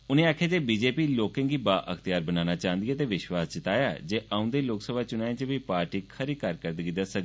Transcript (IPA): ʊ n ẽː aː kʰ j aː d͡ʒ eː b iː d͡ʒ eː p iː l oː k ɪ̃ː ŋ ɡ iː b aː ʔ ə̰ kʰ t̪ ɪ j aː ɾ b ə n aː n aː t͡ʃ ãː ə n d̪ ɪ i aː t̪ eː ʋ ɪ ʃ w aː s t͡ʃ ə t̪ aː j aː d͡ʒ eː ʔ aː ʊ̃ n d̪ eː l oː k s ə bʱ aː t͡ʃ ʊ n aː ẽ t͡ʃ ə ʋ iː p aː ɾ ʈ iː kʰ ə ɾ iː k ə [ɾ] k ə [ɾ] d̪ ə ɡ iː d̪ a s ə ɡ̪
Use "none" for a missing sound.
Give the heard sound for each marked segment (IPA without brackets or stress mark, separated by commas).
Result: ɾ, ɾ